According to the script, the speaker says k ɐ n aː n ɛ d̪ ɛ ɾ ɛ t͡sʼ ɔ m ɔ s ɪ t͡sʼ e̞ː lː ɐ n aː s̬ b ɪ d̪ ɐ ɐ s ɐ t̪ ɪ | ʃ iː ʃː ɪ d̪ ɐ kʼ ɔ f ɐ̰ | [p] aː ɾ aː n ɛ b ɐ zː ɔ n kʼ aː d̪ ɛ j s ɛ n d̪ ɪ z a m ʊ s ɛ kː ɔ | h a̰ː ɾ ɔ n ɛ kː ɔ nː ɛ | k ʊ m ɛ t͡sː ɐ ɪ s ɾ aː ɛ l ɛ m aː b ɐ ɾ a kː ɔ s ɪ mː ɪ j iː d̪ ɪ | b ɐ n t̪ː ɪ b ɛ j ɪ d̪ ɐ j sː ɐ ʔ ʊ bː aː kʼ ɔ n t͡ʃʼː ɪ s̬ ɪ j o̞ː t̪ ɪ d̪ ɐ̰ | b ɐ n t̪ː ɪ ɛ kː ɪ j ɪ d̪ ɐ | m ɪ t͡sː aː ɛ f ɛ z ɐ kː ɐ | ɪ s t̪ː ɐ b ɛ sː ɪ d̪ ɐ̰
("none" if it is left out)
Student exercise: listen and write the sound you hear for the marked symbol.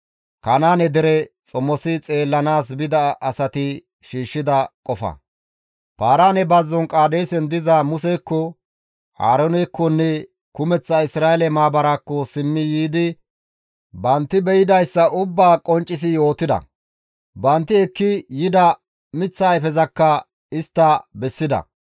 p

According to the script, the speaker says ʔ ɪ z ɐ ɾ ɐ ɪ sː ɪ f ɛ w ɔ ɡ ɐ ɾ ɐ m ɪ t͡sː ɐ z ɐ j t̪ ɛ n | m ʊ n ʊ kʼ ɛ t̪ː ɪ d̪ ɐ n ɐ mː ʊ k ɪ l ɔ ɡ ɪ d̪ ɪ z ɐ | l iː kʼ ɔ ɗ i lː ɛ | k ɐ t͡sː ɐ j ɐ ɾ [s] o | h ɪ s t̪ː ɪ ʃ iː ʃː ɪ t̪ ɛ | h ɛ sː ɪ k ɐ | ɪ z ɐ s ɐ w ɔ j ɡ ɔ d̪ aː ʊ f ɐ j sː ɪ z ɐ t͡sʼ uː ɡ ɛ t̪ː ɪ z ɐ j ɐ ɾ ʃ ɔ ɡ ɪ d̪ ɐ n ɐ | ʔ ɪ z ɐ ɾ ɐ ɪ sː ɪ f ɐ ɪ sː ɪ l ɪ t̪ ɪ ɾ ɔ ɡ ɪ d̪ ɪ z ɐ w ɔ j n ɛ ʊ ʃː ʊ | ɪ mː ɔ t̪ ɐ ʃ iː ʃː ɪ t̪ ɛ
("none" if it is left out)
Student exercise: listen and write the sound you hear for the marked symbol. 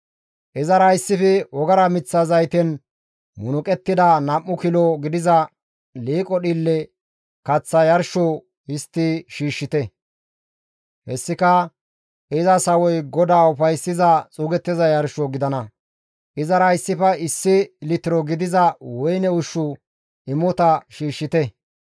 ʃ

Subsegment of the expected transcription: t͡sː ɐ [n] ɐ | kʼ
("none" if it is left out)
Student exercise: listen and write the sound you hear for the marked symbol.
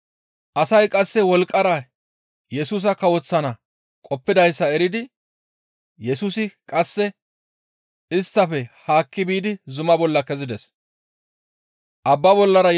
n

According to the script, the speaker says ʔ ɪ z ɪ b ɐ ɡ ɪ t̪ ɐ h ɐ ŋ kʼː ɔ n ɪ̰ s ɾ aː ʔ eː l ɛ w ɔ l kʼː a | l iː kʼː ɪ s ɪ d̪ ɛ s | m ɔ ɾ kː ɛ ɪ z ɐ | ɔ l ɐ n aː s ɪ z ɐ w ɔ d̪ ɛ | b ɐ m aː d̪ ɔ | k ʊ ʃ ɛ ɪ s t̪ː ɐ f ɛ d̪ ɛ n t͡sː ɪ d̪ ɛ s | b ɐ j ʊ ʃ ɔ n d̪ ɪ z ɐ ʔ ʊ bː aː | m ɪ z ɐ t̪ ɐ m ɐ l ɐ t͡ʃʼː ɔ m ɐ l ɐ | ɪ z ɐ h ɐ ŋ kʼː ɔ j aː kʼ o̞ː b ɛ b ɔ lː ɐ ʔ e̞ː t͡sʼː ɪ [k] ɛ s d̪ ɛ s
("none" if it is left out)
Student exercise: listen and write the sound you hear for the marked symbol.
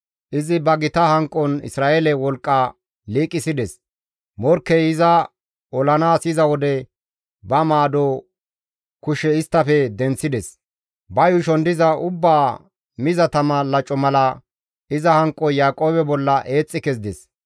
k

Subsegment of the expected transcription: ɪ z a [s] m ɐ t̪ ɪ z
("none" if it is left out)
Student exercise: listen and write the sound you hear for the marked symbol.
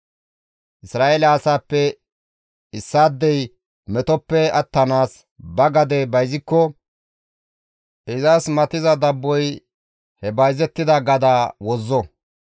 s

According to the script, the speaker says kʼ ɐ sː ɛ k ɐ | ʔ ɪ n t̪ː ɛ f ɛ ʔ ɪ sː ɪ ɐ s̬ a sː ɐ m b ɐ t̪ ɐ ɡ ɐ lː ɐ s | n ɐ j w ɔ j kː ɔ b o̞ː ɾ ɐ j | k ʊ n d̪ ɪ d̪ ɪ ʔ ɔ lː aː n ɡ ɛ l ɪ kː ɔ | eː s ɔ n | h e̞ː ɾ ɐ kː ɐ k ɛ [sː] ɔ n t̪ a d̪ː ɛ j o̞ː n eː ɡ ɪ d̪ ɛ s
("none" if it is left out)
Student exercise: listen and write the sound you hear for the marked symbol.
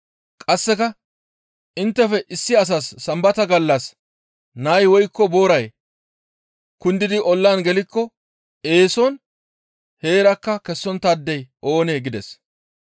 sː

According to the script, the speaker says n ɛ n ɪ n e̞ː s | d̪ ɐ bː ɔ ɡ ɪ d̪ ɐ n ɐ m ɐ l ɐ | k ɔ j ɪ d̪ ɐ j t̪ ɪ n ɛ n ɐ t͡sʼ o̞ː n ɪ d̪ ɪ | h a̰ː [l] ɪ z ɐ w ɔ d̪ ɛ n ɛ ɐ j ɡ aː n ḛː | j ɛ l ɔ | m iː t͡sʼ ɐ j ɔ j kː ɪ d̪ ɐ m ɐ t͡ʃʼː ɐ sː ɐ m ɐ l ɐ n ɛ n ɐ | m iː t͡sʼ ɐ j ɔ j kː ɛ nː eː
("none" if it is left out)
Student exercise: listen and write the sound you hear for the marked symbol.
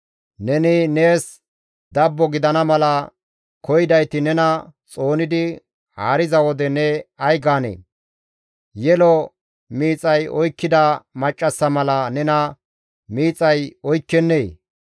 ɾ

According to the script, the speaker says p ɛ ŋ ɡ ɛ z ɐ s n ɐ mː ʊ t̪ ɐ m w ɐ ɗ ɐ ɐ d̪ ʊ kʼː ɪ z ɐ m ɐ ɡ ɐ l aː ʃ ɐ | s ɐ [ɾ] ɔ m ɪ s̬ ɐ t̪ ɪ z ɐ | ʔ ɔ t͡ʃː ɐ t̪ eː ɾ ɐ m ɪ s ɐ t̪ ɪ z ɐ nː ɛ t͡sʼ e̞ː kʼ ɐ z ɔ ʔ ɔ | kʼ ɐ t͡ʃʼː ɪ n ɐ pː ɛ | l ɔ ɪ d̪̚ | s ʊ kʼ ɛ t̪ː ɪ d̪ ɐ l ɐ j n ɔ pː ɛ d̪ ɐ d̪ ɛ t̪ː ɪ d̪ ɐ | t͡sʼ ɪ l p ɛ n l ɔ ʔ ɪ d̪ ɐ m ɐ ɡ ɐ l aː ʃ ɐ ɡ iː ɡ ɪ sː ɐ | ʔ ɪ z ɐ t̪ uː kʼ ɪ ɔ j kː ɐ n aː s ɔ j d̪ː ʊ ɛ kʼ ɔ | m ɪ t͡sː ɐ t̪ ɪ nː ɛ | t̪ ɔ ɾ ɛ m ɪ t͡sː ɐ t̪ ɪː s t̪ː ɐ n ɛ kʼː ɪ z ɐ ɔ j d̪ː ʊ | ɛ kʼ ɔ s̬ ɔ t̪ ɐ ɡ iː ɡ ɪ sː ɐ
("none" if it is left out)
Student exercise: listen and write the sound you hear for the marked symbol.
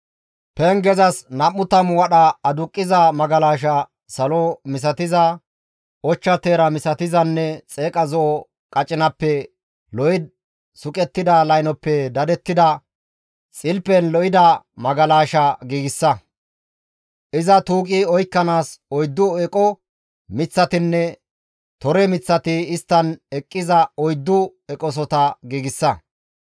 l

